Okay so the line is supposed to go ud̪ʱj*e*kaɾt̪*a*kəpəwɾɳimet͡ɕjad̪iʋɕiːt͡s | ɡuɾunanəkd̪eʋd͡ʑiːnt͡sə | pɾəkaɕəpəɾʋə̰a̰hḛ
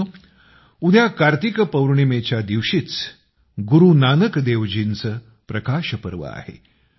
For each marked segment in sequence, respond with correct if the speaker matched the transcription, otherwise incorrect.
incorrect: a, incorrect: i

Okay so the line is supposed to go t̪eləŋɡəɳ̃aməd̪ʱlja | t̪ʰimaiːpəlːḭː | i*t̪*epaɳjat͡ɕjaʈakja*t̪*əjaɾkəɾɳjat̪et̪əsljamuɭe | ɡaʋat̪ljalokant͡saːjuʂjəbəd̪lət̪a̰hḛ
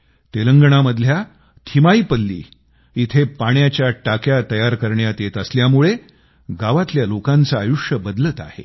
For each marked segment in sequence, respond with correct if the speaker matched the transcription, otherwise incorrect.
incorrect: t̪ʰ, correct

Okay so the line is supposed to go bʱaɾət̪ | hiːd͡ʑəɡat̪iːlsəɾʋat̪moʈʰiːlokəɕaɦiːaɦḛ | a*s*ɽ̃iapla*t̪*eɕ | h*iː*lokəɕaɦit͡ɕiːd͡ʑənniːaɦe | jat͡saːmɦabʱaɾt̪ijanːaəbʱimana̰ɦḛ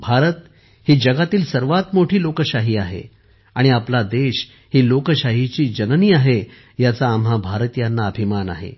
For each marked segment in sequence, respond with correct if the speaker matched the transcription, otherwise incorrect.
incorrect: none, incorrect: d̪, correct

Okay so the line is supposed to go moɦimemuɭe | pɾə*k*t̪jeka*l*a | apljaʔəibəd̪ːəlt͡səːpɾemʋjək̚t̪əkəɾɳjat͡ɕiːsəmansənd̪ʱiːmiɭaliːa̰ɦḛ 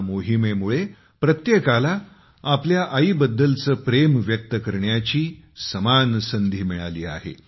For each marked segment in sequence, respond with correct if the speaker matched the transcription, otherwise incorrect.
incorrect: none, correct

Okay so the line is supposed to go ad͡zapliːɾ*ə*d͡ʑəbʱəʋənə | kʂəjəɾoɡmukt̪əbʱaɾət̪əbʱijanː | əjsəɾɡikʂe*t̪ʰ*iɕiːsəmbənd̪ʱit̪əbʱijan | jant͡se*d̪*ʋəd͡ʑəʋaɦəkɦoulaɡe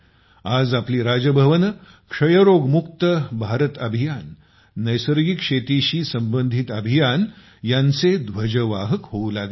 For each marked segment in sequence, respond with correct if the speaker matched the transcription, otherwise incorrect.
incorrect: a, incorrect: t̪, correct

